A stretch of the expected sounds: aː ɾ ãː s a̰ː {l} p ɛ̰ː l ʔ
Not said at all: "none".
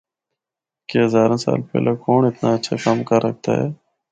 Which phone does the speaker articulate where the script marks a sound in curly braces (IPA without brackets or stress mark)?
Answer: l